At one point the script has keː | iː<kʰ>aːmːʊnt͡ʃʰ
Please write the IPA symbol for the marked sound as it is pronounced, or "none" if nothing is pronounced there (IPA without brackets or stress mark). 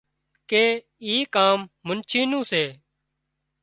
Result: k